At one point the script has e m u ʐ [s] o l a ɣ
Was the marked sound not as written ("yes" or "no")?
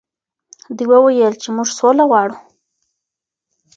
no